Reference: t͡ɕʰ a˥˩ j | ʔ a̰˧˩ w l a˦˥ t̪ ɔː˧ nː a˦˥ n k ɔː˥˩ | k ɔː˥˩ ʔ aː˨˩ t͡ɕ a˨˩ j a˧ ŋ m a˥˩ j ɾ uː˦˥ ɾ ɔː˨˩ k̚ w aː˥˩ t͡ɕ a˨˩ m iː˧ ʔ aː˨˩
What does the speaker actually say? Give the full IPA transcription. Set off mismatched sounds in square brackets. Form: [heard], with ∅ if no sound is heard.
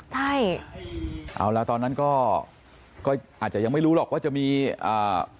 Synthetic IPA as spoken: t͡ɕʰ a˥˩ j | ʔ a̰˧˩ w l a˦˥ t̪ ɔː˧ nː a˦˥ n k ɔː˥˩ | k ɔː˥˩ ʔ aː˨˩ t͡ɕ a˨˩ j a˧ ŋ m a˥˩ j ɾ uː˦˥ [l] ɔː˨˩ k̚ w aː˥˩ t͡ɕ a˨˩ m iː˧ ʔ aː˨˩

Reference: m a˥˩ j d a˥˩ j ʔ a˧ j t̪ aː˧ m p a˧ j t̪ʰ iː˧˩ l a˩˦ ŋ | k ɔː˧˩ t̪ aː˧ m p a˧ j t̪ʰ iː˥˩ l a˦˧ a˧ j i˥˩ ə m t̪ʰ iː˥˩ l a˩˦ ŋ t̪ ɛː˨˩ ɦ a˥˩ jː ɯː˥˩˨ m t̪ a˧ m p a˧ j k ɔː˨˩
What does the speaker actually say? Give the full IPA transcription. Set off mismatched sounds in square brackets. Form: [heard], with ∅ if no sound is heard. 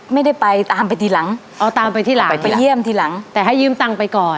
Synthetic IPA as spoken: m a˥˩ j d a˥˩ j [p] a˧ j t̪ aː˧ m p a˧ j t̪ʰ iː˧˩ l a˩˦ ŋ | [ʔ] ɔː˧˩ t̪ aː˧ m p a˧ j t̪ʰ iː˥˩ l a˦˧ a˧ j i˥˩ ə m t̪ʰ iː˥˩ l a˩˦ ŋ t̪ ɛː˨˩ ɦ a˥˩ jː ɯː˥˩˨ m t̪ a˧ [ŋ] p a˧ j k ɔː˨˩

